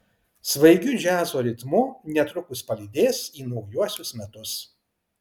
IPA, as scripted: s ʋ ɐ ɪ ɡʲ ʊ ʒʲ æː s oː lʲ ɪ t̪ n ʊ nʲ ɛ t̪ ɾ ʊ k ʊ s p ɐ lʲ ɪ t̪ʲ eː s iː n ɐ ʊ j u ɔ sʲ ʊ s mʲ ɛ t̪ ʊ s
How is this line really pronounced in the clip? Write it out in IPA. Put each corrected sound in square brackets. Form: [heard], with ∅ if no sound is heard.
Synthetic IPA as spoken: s ʋ ɐ ɪ ɡʲ ʊ ʒʲ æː [z] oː [ɾʲ] ɪ t̪ [m] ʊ nʲ ɛ t̪ ɾ ʊ k ʊ s p ɐ lʲ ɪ [d̪ʲ] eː s iː n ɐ ʊ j u ɔ sʲ ʊ s mʲ ɛ t̪ ʊ s